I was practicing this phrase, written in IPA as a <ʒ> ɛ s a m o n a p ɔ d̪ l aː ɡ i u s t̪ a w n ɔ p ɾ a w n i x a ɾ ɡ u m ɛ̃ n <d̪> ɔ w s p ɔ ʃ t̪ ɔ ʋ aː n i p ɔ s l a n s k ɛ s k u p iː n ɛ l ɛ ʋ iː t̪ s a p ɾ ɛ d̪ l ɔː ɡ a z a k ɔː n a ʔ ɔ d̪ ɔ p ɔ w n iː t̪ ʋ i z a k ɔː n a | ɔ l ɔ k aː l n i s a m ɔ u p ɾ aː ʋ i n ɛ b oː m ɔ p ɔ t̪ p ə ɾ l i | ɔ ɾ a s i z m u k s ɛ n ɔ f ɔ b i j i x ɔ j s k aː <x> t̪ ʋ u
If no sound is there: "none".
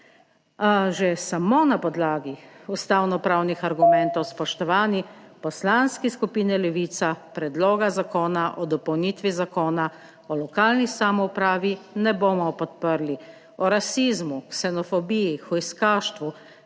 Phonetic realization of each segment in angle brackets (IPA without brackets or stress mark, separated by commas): ʒ, t̪, ʃ